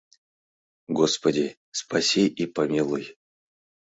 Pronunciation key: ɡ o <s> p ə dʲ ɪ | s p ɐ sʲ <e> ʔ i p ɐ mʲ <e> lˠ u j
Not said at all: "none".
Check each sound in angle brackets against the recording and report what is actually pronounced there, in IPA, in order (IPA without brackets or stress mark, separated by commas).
s, i, i